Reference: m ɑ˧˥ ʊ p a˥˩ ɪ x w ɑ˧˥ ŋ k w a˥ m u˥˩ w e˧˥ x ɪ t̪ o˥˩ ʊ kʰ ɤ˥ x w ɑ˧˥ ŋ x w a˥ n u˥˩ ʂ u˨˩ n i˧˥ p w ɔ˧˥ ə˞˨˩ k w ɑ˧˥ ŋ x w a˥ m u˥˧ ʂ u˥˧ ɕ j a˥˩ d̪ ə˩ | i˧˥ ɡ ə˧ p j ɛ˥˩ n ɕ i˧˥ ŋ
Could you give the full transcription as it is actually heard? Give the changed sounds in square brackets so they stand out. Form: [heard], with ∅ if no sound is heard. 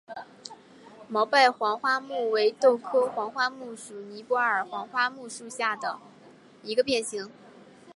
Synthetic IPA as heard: m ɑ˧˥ ʊ p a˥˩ ɪ x w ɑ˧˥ ŋ [x] w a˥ m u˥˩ w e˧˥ [∅] ɪ t̪ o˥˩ ʊ kʰ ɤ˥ x w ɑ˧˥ ŋ x w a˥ [m] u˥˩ ʂ u˨˩ n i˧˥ p w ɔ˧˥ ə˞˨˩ [x] w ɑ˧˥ ŋ x w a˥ m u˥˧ ʂ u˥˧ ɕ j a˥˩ d̪ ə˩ | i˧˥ ɡ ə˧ p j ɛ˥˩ n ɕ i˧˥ ŋ